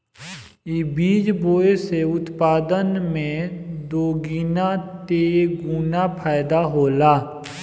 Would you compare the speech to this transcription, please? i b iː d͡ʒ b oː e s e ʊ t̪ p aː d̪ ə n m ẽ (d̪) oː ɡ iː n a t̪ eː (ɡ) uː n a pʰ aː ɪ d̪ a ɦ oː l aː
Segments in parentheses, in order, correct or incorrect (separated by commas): correct, correct